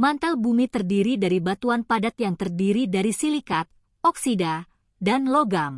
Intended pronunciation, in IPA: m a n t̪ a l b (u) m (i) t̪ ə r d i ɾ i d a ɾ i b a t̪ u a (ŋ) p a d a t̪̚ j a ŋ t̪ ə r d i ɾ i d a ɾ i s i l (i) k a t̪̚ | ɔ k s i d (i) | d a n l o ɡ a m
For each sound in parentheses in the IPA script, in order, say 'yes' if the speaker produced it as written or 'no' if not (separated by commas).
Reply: yes, yes, no, yes, no